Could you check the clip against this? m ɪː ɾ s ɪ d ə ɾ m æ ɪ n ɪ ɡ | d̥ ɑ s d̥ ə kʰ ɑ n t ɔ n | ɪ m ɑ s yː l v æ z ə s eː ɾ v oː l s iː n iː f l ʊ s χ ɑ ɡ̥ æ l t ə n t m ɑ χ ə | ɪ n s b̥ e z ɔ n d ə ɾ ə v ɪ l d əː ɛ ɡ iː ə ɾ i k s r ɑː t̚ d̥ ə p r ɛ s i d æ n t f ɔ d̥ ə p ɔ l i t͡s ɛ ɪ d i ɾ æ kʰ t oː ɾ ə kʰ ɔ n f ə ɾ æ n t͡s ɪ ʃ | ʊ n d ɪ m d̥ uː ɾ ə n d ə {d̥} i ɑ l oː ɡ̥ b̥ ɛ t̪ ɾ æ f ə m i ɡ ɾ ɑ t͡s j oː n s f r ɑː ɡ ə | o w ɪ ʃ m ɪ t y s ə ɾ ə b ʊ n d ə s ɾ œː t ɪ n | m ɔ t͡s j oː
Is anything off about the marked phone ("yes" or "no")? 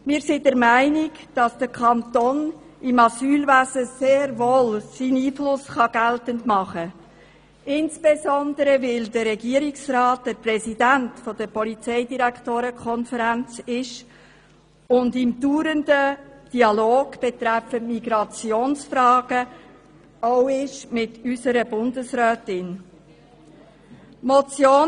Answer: no